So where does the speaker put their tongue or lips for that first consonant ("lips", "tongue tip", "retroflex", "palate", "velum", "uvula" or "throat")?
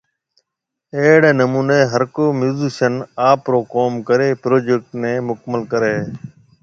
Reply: retroflex